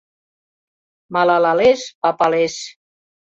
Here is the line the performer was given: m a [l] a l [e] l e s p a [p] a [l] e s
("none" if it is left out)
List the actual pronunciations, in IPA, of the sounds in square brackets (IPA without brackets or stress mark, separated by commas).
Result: l, a, p, l